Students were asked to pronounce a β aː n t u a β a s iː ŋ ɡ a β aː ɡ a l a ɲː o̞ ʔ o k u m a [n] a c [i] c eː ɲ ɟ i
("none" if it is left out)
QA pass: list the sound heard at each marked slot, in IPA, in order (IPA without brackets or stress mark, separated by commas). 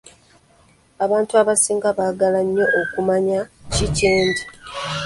ɲ, i